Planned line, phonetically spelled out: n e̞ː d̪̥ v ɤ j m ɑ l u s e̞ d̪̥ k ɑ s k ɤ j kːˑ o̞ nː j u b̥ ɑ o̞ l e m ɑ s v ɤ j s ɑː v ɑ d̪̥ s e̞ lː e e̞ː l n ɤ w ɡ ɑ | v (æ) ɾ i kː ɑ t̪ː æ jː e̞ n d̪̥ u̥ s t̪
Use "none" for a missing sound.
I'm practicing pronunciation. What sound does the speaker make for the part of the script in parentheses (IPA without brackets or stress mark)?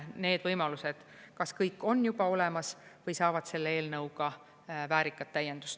æː